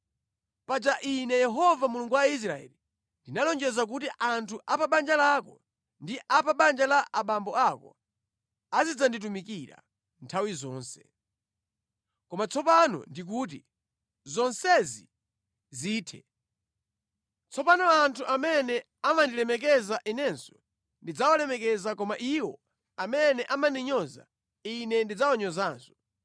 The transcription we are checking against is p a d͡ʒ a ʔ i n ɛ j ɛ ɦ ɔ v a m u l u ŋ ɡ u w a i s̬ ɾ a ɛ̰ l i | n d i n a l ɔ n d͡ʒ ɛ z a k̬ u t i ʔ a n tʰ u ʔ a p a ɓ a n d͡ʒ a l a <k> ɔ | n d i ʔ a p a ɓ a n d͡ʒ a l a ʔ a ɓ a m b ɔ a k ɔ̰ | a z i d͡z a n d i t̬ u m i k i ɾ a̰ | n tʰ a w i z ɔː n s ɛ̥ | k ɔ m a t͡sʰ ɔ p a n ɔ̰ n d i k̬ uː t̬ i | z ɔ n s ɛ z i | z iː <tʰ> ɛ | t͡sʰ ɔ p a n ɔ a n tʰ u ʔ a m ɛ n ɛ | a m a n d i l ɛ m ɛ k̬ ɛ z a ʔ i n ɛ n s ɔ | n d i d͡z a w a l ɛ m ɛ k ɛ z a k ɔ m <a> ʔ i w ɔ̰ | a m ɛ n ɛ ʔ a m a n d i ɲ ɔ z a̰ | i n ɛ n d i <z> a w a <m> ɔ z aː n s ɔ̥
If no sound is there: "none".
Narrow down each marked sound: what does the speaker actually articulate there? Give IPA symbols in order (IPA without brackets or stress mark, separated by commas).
k, tʰ, a, d͡z, ɲ